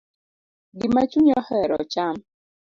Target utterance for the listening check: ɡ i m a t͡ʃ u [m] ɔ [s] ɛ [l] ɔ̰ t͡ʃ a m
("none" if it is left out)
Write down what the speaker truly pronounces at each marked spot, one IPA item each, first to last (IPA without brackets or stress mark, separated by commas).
ɲ, h, ɾ